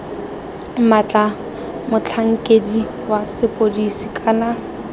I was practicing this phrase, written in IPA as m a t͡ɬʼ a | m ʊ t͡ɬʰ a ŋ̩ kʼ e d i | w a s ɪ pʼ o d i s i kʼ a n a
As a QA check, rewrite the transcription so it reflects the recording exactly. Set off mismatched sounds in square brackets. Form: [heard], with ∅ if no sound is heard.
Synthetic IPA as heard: m a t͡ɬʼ a | m ʊ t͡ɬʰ a ŋ̩ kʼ e d i | w a s ɪ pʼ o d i s i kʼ a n a